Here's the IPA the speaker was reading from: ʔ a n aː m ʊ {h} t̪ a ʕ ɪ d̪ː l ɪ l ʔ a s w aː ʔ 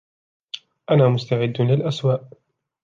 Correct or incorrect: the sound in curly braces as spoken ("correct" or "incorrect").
incorrect